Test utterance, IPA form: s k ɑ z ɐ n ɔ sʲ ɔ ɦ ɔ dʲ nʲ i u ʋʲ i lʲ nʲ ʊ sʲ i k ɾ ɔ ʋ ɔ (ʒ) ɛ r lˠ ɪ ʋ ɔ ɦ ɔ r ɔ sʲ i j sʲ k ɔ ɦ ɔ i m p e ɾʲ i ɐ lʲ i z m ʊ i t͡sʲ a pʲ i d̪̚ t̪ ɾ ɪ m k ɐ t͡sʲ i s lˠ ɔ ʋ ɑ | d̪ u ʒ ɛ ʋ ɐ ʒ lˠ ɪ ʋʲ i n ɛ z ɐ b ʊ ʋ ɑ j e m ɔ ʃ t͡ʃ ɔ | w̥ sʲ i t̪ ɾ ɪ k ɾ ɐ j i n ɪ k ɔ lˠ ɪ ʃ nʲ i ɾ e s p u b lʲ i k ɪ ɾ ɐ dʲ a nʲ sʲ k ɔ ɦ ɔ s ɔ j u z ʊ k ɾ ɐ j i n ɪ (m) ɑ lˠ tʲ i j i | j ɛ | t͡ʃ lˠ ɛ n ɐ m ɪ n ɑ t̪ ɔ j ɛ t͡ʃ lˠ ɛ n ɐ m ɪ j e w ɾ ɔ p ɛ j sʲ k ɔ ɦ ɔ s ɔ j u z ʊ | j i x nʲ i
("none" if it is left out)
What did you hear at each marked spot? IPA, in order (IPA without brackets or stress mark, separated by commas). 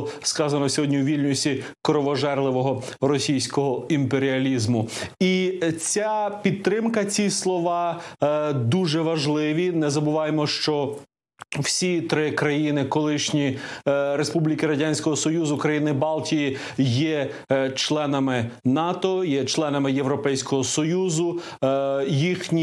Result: ʒ, b